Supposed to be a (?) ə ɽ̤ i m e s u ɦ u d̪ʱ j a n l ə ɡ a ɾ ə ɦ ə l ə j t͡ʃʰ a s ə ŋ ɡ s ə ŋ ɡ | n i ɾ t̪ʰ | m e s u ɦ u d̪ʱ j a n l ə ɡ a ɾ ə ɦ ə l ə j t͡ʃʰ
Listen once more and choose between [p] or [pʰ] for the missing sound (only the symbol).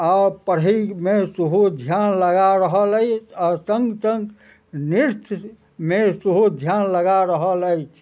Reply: p